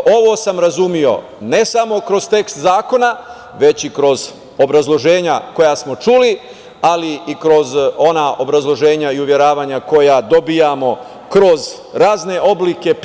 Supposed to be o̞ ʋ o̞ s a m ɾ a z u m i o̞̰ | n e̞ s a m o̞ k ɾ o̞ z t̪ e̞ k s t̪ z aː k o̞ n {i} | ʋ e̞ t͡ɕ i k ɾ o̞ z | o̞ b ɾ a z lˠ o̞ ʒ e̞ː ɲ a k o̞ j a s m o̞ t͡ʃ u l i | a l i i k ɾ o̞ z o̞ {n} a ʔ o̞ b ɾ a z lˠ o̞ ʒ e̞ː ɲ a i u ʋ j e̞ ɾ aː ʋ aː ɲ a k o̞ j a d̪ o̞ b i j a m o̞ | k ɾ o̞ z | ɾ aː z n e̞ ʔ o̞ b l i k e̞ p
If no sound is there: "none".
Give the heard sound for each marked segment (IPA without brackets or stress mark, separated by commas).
a, n